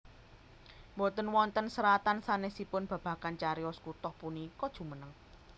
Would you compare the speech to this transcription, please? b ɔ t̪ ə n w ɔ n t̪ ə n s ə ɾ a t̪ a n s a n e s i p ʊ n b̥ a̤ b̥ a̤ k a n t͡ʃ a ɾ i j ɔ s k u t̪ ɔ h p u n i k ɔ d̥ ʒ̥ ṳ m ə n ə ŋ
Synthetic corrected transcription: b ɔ t̪ ə n w ɔ n t̪ ə n s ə ɾ a t̪ a n s a n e s i p ʊ n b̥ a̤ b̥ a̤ k a n t͡ʃ a ɾ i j ɔ s k u t̪ ɔ h p u n i k ɔ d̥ ʒ̥ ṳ m ə n ə ŋ